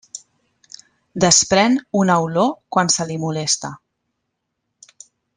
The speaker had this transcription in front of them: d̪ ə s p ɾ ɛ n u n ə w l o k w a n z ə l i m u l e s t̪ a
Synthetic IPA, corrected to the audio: d̪ ə s p ɾ ɛ n u n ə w l o k w a n s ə l i m u l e s t̪ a